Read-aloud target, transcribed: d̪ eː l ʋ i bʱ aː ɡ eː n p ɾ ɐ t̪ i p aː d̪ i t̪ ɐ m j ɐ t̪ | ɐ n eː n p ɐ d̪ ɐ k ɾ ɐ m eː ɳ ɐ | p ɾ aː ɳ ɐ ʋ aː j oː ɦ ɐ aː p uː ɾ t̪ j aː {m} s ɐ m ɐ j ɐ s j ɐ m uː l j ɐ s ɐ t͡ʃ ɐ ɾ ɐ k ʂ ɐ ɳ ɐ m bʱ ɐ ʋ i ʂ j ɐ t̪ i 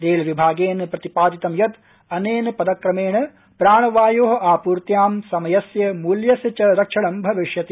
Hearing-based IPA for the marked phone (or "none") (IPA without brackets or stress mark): m